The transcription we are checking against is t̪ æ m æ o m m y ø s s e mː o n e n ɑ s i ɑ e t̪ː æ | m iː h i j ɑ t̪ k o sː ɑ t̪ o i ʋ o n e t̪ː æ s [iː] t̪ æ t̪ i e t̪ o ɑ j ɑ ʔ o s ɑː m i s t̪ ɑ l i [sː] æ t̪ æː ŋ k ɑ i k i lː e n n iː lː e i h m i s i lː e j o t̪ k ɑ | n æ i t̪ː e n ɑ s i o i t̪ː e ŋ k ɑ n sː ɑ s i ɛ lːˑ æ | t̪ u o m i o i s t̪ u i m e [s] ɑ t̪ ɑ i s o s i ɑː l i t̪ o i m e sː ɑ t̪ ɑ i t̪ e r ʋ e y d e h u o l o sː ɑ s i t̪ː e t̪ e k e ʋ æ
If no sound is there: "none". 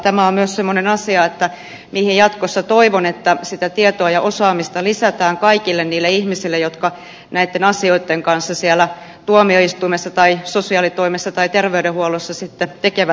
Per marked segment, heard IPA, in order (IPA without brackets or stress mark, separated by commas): i, s, sː